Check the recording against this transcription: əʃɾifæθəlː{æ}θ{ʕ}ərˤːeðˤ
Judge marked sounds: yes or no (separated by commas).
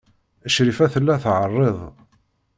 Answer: yes, yes